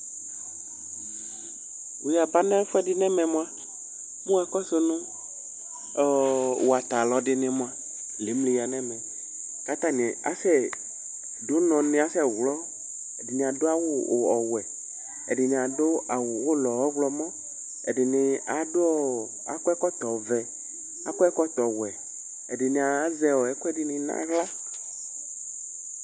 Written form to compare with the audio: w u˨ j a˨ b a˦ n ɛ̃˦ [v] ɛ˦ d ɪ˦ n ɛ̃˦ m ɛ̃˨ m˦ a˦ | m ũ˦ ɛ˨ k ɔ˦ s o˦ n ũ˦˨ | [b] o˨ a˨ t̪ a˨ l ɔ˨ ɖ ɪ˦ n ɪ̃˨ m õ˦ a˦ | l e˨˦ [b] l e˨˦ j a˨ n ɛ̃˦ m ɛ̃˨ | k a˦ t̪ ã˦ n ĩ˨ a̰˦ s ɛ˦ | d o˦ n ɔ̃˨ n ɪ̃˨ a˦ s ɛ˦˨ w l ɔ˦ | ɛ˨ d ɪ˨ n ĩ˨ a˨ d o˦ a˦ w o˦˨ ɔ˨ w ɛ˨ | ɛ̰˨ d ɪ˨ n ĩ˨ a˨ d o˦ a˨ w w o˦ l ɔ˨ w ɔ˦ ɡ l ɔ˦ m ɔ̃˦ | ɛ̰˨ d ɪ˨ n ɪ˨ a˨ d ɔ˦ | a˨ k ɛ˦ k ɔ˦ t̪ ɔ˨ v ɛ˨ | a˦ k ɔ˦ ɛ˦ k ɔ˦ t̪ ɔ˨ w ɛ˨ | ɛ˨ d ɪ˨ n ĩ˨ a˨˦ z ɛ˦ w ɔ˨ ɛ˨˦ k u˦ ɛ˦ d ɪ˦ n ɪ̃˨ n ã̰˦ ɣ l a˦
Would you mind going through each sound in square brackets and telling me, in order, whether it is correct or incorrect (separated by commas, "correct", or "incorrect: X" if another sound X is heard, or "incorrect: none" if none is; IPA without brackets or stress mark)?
incorrect: f, incorrect: w, incorrect: m